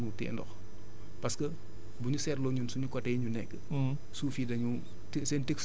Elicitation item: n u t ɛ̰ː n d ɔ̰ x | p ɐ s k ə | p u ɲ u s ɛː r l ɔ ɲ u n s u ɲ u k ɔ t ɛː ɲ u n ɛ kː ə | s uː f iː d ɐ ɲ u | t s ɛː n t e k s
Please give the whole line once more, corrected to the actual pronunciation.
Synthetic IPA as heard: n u t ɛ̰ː n d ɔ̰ x | p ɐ s k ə | b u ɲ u s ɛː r l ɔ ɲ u n s u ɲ u k ɔ t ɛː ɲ u n ɛ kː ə | s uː f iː d ɐ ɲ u | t s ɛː n t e k s